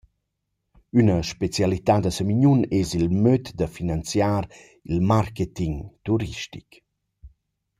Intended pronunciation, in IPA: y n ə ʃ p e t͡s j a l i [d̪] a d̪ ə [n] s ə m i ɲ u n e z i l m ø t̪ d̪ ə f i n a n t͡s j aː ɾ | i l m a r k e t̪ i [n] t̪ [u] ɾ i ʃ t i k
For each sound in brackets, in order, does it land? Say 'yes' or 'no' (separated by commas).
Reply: no, no, no, yes